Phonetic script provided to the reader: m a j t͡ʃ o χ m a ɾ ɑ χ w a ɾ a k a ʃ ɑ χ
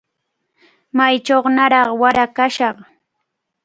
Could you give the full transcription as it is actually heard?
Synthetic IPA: m a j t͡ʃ o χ n a ɾ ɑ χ w a ɾ a k a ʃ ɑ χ